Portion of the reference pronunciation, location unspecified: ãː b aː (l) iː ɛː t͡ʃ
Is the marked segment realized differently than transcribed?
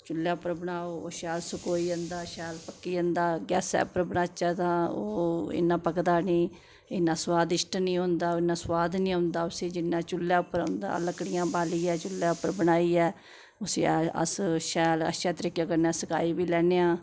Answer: no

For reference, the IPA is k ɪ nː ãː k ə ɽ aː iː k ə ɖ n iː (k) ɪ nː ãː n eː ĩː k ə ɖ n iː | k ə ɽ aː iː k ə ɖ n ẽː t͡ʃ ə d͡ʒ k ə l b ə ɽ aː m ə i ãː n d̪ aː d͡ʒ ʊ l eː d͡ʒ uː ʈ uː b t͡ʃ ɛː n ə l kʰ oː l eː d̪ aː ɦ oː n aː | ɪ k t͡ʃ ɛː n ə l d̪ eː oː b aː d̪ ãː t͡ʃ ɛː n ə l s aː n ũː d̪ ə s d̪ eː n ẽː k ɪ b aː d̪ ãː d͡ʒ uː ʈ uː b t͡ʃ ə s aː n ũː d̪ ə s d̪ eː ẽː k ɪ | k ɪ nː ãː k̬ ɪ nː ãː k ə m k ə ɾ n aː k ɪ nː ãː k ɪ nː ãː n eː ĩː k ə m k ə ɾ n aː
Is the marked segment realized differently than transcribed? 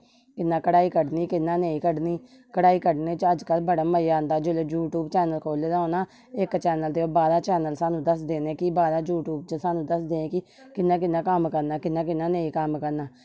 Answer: no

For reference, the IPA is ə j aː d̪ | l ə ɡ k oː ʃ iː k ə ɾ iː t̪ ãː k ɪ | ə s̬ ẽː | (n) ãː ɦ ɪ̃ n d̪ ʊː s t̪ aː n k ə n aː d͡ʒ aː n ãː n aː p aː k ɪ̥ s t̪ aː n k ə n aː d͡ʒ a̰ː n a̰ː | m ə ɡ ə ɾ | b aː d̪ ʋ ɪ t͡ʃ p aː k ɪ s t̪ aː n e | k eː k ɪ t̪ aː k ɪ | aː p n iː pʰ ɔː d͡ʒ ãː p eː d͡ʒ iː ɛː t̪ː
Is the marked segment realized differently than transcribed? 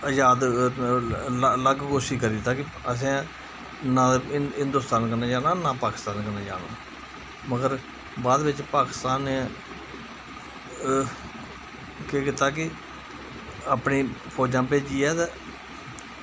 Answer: no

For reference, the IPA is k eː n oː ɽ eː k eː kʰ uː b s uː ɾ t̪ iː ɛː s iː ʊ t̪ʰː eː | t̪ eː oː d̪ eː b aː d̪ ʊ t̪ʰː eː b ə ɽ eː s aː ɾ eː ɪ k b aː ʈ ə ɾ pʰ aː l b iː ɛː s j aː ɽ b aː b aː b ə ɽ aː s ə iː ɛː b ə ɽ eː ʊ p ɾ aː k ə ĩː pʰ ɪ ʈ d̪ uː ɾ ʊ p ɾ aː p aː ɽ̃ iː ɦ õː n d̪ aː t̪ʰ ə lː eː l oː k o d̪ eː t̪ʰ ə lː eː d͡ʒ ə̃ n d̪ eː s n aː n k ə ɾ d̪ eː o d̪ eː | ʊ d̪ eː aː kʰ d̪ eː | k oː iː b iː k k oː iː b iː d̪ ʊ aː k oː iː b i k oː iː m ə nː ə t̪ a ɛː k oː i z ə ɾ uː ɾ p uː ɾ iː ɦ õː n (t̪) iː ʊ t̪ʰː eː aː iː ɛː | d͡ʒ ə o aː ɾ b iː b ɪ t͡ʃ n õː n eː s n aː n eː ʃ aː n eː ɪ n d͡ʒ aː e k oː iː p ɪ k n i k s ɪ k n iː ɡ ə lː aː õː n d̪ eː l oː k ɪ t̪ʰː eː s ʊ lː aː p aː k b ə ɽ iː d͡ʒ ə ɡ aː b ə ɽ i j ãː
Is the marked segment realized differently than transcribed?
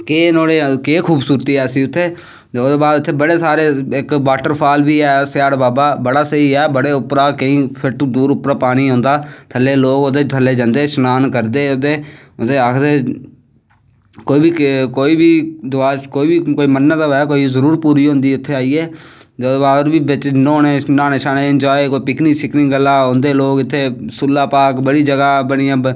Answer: yes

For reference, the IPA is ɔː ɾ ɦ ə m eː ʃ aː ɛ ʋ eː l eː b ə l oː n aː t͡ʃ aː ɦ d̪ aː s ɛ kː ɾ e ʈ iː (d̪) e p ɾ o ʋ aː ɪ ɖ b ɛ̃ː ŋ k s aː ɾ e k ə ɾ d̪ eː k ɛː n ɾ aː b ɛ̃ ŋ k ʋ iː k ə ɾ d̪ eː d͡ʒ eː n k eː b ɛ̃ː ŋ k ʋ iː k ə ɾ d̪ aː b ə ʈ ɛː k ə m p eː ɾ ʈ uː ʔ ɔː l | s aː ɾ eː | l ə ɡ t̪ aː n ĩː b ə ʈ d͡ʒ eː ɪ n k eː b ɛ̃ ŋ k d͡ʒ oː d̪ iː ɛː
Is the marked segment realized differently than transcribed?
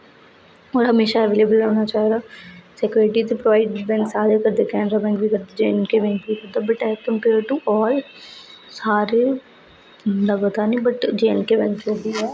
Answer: yes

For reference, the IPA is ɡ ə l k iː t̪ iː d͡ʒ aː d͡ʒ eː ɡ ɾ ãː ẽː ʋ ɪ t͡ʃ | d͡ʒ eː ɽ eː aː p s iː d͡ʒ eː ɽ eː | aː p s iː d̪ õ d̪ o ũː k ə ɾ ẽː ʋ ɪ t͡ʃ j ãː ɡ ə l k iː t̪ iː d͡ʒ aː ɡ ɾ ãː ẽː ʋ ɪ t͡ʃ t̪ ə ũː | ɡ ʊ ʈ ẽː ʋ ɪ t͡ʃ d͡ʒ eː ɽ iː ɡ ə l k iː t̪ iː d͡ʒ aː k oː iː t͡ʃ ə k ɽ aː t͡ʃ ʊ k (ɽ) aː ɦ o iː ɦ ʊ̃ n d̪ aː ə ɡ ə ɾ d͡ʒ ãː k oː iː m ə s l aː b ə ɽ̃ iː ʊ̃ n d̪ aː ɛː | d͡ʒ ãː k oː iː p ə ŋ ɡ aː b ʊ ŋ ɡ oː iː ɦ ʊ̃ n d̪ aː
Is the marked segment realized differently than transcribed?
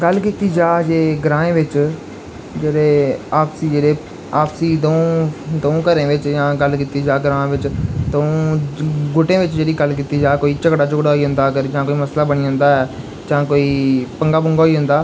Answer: no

